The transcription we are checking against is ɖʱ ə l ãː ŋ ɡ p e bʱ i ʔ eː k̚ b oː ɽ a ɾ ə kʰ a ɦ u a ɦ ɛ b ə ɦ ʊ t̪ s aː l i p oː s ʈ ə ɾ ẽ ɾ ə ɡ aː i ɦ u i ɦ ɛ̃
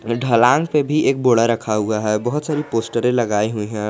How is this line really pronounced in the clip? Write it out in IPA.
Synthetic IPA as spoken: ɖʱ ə l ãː ŋ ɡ p e bʱ i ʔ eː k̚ b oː ɽ a ɾ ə kʰ a ɦ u a ɦ ɛ b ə ɦ ʊ t̪ s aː ɾ i p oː s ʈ ə ɾ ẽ l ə ɡ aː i ɦ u i ɦ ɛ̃